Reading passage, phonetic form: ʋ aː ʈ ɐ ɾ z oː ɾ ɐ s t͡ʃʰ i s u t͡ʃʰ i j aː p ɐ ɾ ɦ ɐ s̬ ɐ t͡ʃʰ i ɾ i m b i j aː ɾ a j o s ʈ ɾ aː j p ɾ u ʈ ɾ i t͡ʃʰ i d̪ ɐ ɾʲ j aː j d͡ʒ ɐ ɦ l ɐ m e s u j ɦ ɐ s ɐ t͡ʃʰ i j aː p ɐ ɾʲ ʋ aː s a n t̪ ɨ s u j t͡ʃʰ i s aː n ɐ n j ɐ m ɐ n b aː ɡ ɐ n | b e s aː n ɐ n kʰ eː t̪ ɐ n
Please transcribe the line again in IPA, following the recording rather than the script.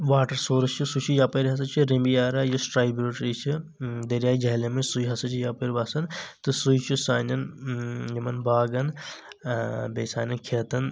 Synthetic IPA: ʋ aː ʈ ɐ ɾ s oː ɾ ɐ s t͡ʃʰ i s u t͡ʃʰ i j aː p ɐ ɾ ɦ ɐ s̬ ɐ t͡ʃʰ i ɾ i m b i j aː ɾ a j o s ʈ ɾ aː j b ɾ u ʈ ɾ i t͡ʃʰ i d̪ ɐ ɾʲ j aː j d͡ʒ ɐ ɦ l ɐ m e s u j ɦ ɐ s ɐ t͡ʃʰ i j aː p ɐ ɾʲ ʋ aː s ɐ n t̪ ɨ s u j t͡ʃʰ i s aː n ɐ n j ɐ m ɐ n b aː ɡ ɐ n | b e s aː n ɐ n kʰ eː t̪ ɐ n